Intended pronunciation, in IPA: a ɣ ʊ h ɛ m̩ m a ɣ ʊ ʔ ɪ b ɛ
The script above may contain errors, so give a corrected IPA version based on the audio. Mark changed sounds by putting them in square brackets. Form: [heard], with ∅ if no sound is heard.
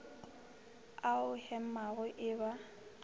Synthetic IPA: a [∅] ʊ h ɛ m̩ m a ɣ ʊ ʔ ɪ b [a]